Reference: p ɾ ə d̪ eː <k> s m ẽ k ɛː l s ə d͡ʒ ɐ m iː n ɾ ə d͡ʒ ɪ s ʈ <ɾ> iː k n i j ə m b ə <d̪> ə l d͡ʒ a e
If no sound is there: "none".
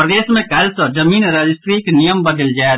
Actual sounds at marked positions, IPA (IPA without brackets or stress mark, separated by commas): none, ɾ, d̪